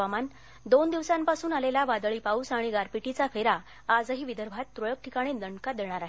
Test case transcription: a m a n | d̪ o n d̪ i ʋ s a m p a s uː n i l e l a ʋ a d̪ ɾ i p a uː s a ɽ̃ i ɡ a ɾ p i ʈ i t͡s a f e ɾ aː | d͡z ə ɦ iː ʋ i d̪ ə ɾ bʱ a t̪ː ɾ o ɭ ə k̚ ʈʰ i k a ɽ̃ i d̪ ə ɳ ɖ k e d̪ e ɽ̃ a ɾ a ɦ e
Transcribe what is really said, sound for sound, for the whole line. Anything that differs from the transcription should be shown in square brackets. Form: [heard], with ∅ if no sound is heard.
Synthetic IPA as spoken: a m a n | d̪ o n d̪ i ʋ s a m p a s uː n [a] l e l a ʋ a d̪ [ɭ] i p a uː s a ɽ̃ i ɡ a ɾ p i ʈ i t͡s a f e ɾ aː | d͡z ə ɦ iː ʋ i d̪ ə ɾ bʱ a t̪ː ɾ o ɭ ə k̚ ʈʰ i k a ɽ̃ i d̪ ə ɳ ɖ k [a] d̪ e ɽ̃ a ɾ a ɦ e